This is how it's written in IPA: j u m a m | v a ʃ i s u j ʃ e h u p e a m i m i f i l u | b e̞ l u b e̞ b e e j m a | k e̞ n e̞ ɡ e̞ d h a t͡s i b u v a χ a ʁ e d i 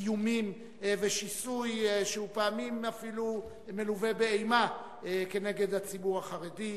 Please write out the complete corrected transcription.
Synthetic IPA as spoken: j u m i m | v e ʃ i s u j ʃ e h u p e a m i m a f i l u | m e̞ l u v e̞ b e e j m a | k e̞ n e̞ ɡ e̞ d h a t͡s i b u ʁ a χ a ʁ e d i